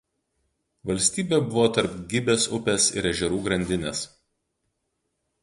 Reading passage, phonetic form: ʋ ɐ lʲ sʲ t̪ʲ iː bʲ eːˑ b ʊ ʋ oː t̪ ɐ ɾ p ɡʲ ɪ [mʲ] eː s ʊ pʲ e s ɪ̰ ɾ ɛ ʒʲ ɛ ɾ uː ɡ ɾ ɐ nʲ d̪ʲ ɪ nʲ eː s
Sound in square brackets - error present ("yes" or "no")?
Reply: yes